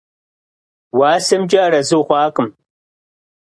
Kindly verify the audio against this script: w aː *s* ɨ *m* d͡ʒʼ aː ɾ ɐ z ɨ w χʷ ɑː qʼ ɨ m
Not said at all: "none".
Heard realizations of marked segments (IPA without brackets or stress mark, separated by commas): s, m